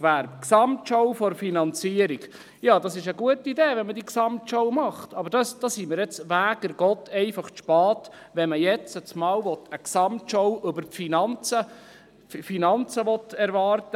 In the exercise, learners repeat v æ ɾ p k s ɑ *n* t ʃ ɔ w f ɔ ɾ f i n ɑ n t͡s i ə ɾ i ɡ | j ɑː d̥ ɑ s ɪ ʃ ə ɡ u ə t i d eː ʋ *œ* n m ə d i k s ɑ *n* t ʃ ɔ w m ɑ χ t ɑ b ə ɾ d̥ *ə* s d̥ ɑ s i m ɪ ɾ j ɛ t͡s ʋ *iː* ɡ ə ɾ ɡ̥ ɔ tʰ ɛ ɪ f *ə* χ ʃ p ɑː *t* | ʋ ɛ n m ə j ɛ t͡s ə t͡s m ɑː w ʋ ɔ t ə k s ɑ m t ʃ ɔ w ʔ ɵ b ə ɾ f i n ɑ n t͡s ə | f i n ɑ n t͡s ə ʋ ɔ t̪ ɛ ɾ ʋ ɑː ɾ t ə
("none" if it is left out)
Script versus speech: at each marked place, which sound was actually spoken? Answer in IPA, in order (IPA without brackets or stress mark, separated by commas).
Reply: m, ɛ, m, ɑ, æː, ɑ, t